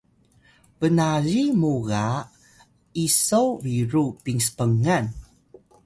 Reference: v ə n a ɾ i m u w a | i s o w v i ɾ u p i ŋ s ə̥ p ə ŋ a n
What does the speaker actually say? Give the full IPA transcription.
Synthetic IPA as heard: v ə n a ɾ i m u ɣ a | i s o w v i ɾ u p i ŋ s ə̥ p ə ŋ a n